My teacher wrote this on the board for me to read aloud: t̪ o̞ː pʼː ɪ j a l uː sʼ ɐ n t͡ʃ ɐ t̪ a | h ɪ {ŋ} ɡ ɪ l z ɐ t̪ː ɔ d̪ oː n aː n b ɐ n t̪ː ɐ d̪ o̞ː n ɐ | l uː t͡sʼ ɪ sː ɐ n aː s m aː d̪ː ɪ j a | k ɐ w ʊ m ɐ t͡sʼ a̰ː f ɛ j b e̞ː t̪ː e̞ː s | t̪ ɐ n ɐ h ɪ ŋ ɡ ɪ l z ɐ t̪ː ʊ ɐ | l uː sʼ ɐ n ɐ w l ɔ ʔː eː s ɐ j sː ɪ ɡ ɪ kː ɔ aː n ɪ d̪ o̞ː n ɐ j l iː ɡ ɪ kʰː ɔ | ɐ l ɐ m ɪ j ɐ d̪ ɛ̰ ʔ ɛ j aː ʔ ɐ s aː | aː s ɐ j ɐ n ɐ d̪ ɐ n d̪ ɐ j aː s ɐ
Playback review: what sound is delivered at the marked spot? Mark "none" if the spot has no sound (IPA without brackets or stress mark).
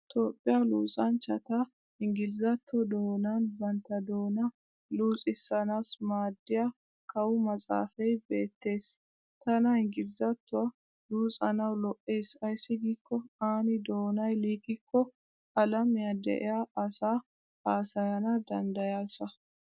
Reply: ŋ